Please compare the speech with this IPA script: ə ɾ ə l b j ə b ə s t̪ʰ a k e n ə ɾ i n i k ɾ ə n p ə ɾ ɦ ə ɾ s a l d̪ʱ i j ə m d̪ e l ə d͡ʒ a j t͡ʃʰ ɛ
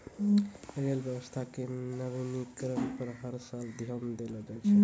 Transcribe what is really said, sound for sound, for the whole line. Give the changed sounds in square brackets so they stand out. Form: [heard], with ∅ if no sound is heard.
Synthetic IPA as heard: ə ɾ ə l b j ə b ə s t̪ʰ a k e n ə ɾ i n i k ɾ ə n p ə ɾ ɦ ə ɾ s a l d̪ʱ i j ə m d̪ e l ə d͡ʒ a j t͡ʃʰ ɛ